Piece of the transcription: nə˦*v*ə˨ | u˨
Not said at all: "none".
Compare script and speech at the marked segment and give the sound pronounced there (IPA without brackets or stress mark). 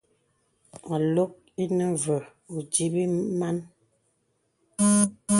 v